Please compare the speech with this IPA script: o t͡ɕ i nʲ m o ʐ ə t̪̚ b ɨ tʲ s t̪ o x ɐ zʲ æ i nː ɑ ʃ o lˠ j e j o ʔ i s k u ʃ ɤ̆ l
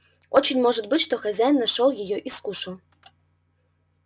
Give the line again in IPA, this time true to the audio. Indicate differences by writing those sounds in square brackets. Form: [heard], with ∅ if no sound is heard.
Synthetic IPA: o t͡ɕ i nʲ m o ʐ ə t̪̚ b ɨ tʲ [ʃ] t̪ o x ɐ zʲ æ [j] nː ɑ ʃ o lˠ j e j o ʔ i s k u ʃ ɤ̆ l

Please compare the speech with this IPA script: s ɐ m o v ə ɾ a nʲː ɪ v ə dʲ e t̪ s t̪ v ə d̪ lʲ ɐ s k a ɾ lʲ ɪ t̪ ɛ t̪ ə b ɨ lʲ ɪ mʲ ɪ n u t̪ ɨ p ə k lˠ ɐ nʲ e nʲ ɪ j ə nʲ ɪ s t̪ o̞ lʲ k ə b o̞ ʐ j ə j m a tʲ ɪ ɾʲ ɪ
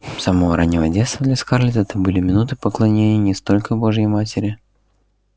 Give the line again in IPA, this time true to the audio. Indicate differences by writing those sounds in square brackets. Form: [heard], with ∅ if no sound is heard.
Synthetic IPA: s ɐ m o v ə ɾ a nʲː ɪ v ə dʲ e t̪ s t̪ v ə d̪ lʲ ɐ s k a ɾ lʲ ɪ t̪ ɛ t̪ ə b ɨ lʲ ɪ mʲ ɪ n u t̪ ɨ p ə k lˠ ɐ nʲ e nʲ ɪ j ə nʲ ɪ s t̪ o̞ lʲ k ə b o̞ ʐ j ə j m a tʲ ɪ ɾʲ ɪ

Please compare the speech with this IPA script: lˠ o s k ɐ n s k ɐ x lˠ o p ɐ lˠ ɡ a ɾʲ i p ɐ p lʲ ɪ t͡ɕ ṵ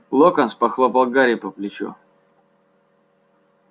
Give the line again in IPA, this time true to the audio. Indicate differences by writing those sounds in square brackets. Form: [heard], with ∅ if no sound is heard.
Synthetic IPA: lˠ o [∅] k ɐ n s [p] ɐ x lˠ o p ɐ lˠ ɡ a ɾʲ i p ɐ p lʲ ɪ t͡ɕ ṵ

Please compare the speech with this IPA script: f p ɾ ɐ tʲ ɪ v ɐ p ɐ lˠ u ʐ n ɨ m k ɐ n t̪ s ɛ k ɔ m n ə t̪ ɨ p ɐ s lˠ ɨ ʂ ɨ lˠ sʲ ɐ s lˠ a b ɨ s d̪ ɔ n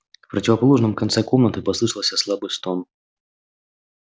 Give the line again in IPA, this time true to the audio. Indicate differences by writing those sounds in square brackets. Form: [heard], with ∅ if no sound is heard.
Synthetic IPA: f p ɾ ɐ tʲ ɪ v ɐ p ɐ lˠ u ʐ n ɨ m k ɐ n t̪ s ɛ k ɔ m n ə t̪ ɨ p ɐ s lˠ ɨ ʂ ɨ lˠ sʲ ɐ s lˠ a b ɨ s [t̪] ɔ n

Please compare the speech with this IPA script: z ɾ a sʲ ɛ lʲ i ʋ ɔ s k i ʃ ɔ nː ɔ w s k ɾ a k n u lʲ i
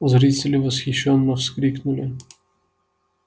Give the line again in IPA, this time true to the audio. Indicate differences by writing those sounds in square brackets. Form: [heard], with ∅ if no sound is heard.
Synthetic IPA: z ɾ [i] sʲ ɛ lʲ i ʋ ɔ s [x] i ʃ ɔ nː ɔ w s k ɾ [i] k n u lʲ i

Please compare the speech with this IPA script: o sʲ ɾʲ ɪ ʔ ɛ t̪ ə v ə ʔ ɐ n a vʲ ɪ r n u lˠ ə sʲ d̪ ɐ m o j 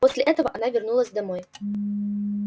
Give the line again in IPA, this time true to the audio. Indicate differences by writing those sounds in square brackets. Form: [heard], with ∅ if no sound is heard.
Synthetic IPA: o sʲ [lʲ] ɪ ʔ ɛ t̪ ə v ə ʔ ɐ n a vʲ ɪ r n u lˠ ə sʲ d̪ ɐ m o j

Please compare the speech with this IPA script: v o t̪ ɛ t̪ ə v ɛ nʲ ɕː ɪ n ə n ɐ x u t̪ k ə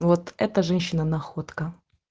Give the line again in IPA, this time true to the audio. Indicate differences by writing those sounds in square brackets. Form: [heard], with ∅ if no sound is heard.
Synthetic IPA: v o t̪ ɛ t̪ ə [ʐ] ɛ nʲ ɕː ɪ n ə n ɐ x [o] t̪ k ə

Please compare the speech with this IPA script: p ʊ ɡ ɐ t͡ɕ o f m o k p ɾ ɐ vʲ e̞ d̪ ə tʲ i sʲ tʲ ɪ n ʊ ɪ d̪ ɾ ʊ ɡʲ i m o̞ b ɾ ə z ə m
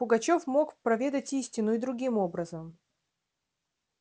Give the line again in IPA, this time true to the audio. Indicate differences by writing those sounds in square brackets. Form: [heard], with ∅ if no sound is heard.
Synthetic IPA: p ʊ ɡ ɐ t͡ɕ o f m o k p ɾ ɐ vʲ e̞ d̪ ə tʲ i sʲ tʲ ɪ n ʊ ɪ d̪ ɾ ʊ ɡʲ i m o̞ b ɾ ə z ə m

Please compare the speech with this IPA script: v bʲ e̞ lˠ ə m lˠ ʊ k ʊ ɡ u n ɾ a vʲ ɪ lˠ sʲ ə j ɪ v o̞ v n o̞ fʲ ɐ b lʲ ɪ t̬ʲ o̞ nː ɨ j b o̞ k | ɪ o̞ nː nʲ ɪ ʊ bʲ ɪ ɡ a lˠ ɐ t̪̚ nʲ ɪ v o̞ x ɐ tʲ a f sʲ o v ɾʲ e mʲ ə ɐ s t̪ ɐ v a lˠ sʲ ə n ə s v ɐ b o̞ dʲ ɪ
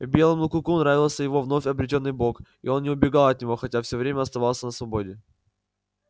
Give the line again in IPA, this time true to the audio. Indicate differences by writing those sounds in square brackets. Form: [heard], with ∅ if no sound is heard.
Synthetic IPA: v bʲ e̞ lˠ ə m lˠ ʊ k ʊ [k] u n ɾ a vʲ ɪ lˠ sʲ ə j ɪ v o̞ v n o̞ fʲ ɐ b [ɾʲ] ɪ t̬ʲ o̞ nː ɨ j b o̞ k | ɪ o̞ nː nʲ ɪ ʊ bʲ ɪ ɡ a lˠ ɐ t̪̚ nʲ ɪ v o̞ x ɐ tʲ a f sʲ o v ɾʲ e mʲ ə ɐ s t̪ ɐ v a lˠ sʲ ə n ə s v ɐ b o̞ dʲ ɪ

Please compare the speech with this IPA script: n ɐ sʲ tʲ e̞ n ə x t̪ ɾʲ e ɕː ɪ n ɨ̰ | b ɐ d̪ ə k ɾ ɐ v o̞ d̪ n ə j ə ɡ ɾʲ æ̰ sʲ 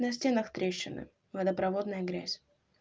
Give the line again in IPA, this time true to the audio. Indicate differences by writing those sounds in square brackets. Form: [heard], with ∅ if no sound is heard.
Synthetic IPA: n ɐ sʲ tʲ e̞ n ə x t̪ ɾʲ e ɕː ɪ n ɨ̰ | [v] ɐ d̪ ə [p] ɾ ɐ v o̞ d̪ n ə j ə ɡ ɾʲ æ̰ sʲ

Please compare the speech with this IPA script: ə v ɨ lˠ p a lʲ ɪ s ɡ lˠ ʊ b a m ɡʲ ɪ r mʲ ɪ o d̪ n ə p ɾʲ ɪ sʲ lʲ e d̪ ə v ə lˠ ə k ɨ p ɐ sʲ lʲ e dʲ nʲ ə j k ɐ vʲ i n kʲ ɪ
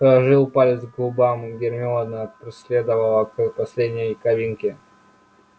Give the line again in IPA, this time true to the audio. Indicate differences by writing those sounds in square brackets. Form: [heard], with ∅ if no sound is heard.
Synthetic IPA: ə [ʐ] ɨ lˠ p a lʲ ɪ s ɡ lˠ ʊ b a m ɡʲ ɪ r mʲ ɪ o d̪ n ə p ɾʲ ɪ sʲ lʲ e d̪ ə v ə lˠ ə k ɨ p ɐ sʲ lʲ e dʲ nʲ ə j k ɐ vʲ i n kʲ ɪ

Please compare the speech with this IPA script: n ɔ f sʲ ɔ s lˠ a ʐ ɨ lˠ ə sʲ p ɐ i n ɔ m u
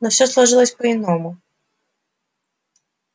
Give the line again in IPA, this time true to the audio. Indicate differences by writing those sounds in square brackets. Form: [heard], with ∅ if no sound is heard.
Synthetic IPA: n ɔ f sʲ ɔ s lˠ a ʐ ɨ lˠ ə sʲ p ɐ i n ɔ m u

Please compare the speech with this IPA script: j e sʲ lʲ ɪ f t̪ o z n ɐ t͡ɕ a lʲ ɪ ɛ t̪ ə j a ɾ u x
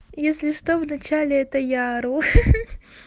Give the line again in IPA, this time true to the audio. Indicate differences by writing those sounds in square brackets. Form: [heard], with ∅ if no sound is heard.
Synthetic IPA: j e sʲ lʲ ɪ [ʂ] t̪ o [v] n ɐ t͡ɕ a lʲ ɪ ɛ t̪ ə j a ɾ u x

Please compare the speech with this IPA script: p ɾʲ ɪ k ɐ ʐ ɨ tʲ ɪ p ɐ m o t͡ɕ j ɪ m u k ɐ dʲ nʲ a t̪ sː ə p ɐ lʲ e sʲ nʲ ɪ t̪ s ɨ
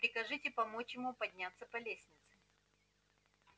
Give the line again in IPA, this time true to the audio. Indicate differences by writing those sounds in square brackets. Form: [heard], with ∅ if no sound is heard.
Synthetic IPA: p ɾʲ ɪ k ɐ ʐ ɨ tʲ ɪ p ɐ m o t͡ɕ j ɪ m u [p] ɐ dʲ nʲ a t̪ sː ə p ɐ lʲ e sʲ nʲ ɪ t̪ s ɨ

